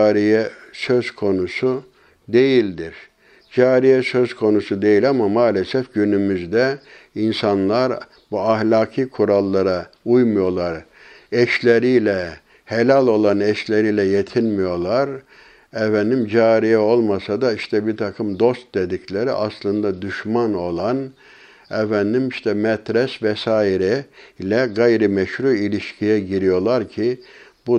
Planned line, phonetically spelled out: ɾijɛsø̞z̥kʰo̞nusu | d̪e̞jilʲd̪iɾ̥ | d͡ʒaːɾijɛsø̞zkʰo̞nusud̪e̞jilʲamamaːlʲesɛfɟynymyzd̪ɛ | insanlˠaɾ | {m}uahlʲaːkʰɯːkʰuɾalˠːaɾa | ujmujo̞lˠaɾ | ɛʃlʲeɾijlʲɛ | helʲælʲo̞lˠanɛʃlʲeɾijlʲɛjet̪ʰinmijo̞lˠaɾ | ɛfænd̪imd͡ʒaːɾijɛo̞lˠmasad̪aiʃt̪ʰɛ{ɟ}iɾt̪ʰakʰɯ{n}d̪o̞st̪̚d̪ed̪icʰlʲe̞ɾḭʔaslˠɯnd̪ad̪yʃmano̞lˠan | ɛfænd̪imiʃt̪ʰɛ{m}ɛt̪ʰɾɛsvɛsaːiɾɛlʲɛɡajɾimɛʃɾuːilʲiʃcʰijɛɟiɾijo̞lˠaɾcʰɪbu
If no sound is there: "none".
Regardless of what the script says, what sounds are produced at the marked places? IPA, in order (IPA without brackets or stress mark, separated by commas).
b, b, m, m